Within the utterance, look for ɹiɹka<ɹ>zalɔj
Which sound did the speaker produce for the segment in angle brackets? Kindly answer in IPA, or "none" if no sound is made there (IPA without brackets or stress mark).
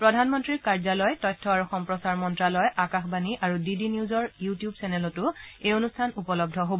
ɹ